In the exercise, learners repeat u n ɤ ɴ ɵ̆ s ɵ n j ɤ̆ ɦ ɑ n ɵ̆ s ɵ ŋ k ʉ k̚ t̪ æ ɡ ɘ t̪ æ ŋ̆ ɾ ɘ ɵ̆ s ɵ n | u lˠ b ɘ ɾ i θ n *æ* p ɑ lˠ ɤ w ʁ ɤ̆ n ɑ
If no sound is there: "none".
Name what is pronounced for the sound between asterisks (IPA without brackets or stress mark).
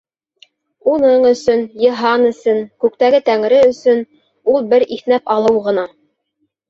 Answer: æ